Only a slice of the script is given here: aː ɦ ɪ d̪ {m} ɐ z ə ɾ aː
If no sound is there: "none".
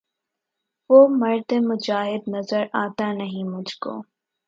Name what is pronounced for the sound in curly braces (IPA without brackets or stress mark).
n